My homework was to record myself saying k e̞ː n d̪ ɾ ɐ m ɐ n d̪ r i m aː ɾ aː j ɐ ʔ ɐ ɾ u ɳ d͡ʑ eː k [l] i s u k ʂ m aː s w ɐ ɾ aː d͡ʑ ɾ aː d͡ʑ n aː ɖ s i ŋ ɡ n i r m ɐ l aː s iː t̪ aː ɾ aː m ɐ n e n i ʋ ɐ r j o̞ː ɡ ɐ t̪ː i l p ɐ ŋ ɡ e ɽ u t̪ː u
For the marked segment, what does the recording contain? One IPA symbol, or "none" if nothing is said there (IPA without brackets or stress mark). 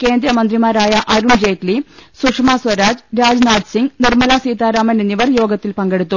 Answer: l